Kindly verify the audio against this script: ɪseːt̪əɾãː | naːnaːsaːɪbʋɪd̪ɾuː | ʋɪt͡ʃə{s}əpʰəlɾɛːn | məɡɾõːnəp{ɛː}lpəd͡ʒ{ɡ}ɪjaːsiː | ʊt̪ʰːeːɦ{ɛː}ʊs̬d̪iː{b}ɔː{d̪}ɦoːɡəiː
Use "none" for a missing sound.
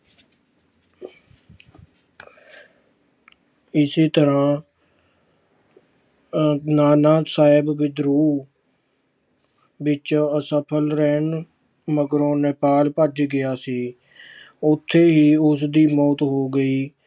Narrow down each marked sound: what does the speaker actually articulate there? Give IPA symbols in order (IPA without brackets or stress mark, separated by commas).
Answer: s, aː, ɡ, iː, m, t̪